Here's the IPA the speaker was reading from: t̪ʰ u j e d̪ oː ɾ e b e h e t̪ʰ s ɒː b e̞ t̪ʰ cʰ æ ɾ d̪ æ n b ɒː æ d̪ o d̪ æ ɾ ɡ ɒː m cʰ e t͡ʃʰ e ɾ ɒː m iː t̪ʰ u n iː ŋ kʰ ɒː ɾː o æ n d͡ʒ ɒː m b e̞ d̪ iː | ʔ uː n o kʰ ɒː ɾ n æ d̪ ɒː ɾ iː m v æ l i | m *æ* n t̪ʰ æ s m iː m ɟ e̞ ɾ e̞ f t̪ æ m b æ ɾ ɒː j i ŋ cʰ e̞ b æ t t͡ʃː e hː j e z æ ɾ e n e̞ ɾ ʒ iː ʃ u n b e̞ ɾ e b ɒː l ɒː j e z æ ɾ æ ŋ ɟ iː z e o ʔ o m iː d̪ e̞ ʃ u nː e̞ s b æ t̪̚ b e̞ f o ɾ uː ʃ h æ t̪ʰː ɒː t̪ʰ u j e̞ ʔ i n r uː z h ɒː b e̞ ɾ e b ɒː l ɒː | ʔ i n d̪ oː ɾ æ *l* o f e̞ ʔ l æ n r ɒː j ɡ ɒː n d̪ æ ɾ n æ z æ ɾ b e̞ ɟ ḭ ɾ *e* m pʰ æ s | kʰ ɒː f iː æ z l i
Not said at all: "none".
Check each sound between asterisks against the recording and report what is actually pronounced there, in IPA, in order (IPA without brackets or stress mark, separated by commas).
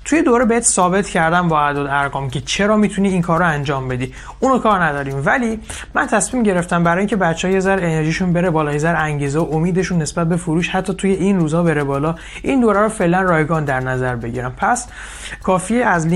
æ, ɾ, æ